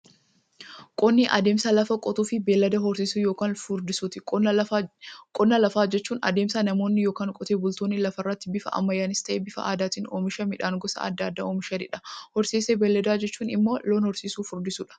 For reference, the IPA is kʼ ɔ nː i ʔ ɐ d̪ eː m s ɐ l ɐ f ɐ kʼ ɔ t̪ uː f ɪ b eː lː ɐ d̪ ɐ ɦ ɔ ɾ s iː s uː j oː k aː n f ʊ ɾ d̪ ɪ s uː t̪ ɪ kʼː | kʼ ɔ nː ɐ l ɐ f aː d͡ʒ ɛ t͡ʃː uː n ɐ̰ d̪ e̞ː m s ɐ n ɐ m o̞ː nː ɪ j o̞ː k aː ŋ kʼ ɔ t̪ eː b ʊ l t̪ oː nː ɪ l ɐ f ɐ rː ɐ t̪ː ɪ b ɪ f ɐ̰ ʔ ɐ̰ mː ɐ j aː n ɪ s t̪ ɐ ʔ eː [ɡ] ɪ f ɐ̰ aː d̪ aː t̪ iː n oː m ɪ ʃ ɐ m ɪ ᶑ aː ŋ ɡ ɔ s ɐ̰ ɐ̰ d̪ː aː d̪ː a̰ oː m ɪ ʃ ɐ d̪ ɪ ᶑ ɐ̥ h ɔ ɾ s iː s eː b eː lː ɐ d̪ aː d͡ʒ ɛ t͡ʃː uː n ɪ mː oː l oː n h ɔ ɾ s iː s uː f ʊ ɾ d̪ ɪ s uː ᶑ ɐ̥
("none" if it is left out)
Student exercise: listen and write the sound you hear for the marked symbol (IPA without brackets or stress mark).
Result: b